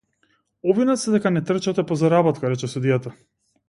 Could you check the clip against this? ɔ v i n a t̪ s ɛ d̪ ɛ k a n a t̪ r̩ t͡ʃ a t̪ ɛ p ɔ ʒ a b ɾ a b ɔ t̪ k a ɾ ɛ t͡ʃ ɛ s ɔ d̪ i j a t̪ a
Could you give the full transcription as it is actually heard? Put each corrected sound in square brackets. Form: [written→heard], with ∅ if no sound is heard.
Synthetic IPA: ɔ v i n a t̪ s ɛ d̪ ɛ k a n [a→ɛ] t̪ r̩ t͡ʃ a t̪ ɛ p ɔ [ʒ→z] a [b→∅] ɾ a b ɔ t̪ k a ɾ ɛ t͡ʃ ɛ s [ɔ→u] d̪ i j a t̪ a